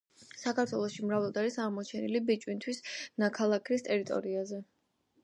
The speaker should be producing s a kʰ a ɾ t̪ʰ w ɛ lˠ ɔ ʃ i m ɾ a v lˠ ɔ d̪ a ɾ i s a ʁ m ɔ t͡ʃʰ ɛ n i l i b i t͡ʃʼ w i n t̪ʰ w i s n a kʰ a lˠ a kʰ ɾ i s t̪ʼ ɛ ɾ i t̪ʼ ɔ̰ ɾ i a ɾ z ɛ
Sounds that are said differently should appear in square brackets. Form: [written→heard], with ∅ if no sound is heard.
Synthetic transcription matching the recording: s a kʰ a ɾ t̪ʰ w ɛ lˠ ɔ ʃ i m ɾ a v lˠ ɔ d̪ a ɾ i s a ʁ m ɔ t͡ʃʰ ɛ n i l i b i t͡ʃʼ w i n t̪ʰ w i s n a kʰ a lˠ a kʰ ɾ i s t̪ʼ ɛ ɾ i t̪ʼ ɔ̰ ɾ i a [ɾ→∅] z ɛ